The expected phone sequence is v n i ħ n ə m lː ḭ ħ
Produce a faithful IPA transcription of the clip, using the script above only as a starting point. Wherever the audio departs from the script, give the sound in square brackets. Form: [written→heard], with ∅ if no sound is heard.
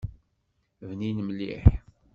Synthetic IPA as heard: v n i [ħ→∅] n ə m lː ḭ ħ